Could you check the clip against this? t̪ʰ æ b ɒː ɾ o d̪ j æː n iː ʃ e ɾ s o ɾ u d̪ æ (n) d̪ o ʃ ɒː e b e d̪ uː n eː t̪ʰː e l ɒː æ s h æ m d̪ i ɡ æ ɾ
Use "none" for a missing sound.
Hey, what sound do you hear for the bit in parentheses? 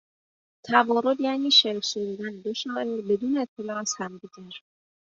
n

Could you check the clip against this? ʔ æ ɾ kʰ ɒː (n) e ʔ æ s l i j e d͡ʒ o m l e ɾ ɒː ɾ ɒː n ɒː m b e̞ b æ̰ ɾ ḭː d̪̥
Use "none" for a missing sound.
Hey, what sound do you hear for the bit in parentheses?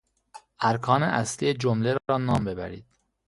n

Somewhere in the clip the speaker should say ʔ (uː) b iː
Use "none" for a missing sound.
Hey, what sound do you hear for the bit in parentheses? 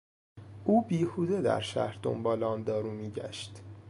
uː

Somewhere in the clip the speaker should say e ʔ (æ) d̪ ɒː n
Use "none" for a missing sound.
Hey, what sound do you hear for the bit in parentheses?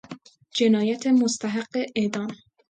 e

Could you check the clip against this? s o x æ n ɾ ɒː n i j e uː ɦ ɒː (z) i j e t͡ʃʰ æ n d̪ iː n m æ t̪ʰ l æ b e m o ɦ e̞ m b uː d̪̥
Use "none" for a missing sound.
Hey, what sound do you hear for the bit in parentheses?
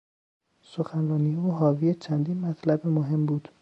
v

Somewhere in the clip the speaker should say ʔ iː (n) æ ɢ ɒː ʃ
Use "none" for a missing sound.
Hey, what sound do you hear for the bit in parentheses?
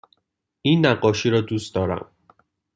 nː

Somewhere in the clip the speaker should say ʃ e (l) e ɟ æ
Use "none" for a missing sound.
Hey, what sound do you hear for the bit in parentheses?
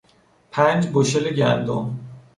l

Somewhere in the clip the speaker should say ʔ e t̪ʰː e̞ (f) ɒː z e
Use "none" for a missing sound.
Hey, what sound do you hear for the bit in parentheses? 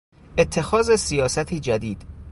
x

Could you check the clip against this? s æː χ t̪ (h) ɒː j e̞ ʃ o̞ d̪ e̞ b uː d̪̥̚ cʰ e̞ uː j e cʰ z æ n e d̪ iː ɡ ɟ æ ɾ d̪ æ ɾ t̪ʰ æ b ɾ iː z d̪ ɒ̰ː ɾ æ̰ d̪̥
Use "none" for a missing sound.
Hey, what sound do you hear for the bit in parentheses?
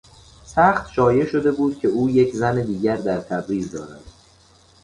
ʃ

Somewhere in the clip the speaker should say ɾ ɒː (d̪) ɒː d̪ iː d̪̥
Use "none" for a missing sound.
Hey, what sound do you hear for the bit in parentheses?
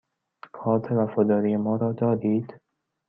d̪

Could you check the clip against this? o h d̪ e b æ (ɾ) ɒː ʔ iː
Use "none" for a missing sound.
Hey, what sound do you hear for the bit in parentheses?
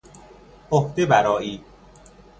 ɾ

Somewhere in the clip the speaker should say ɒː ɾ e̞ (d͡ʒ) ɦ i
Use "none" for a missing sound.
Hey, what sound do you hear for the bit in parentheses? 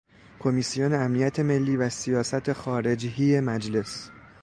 d͡ʒ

